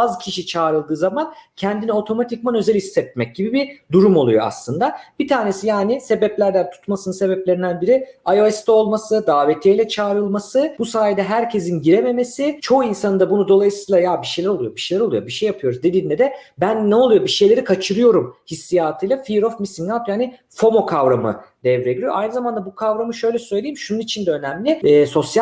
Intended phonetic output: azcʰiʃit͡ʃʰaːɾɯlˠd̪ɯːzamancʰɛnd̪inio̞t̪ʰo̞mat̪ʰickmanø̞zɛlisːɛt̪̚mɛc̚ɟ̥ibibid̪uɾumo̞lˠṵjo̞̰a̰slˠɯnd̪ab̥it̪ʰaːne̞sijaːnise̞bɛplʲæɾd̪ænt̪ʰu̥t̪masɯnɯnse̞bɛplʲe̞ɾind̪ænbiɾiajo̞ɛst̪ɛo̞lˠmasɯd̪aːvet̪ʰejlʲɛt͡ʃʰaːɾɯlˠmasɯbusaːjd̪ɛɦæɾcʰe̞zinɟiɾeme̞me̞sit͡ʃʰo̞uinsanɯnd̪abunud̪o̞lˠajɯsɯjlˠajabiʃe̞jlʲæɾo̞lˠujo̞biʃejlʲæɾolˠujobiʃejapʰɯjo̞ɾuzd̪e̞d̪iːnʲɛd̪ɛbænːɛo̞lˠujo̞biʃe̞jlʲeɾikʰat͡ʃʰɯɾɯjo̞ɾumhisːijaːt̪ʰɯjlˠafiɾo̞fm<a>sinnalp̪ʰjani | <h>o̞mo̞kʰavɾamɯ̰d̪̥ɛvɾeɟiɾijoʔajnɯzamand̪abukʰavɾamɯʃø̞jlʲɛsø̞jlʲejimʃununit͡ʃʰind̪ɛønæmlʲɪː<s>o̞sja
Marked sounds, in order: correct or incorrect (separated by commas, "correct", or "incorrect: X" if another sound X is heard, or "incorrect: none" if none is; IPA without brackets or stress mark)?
incorrect: i, incorrect: f, correct